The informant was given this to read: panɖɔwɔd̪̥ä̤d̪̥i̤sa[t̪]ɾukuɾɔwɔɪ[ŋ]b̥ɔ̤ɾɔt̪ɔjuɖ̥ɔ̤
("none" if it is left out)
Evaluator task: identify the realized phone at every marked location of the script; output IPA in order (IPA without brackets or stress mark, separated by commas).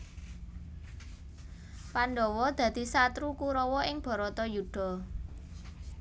t̪, ŋ